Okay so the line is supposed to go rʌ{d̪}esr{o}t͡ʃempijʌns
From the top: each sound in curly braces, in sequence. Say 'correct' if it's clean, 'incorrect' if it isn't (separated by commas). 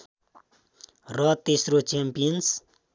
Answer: incorrect, correct